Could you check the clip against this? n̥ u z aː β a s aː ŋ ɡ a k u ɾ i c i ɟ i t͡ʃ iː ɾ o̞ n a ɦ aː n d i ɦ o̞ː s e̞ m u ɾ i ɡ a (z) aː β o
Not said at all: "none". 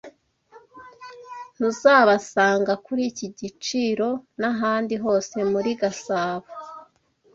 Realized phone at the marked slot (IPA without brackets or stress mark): s